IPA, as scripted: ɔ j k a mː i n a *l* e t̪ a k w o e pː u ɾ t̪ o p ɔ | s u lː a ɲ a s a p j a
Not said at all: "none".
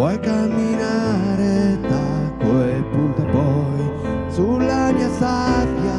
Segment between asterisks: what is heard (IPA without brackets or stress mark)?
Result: ɾ